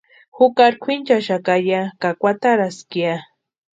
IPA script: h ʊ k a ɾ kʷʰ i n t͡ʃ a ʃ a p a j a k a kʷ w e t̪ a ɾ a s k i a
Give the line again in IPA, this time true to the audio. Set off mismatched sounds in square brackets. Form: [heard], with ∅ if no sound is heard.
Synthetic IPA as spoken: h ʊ k a ɾ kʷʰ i n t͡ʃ a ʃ a [k] a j a k a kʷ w [a] t̪ a ɾ a s k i a